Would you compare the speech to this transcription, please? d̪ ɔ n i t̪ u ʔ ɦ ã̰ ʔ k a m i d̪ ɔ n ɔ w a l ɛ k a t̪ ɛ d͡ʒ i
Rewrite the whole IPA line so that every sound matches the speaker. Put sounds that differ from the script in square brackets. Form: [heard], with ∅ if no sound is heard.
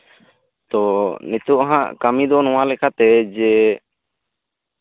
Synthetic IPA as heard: [t̪] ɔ n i t̪ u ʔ ɦ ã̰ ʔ k a m i d̪ ɔ n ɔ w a l ɛ k a t̪ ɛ d͡ʒ [ɛ]